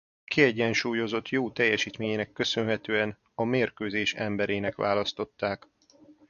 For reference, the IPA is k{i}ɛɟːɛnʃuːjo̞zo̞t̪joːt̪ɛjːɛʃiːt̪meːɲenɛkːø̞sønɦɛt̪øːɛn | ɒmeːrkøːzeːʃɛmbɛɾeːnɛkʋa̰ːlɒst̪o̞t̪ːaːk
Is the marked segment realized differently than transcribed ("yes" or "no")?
no